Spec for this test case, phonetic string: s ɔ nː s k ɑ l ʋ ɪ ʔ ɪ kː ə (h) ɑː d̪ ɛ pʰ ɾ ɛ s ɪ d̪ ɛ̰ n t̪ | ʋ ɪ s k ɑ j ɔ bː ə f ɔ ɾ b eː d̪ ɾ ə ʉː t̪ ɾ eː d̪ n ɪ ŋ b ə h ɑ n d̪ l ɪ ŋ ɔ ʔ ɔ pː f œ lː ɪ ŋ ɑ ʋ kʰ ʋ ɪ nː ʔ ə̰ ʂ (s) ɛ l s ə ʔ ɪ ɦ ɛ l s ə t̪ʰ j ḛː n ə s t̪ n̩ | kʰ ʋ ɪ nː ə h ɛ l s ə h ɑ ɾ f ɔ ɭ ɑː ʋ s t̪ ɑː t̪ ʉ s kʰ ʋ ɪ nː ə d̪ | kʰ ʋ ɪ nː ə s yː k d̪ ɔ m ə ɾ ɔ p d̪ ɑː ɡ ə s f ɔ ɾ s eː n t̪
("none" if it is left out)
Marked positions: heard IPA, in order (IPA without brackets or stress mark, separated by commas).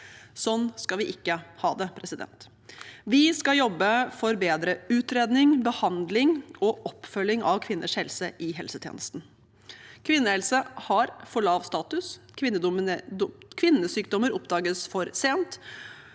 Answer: h, h